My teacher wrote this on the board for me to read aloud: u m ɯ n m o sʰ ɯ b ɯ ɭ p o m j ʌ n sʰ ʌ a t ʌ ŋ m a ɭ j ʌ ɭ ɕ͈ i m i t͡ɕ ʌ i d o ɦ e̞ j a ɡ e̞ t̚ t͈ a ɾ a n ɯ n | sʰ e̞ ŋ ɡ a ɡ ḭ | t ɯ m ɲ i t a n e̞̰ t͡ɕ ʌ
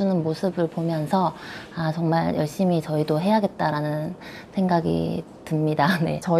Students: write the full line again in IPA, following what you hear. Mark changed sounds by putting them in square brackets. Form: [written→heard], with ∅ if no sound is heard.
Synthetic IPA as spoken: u [m→n] ɯ n m o sʰ ɯ b ɯ ɭ p o m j ʌ n sʰ ʌ a [t→t͡ɕ] ʌ ŋ m a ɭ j ʌ ɭ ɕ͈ i m i t͡ɕ ʌ i d o ɦ e̞ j a ɡ e̞ t̚ t͈ a ɾ a n ɯ n | sʰ e̞ ŋ ɡ a ɡ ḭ | t ɯ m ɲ i [t→d] a n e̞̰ t͡ɕ ʌ